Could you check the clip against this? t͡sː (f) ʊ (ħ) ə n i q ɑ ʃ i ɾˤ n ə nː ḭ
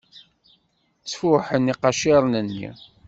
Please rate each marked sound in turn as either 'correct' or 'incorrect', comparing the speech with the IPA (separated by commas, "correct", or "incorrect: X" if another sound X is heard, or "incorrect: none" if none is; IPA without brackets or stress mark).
correct, correct